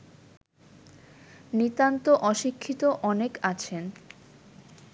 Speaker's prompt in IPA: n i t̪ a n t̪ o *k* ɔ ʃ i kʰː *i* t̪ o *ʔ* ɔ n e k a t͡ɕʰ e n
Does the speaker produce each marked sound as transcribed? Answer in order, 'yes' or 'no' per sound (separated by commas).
no, yes, yes